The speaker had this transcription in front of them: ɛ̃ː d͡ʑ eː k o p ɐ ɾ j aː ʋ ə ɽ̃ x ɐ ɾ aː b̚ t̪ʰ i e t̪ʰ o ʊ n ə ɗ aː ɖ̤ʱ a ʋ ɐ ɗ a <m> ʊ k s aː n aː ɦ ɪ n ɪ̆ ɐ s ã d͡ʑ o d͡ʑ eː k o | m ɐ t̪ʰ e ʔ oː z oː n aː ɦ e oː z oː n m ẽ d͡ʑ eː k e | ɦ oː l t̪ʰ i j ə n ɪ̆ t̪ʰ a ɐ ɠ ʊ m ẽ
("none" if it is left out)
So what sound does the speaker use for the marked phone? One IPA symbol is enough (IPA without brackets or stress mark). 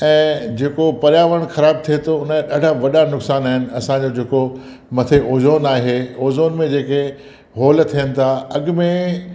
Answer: n